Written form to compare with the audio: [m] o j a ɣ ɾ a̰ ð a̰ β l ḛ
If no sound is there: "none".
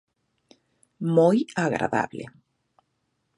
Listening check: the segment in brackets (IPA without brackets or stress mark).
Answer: m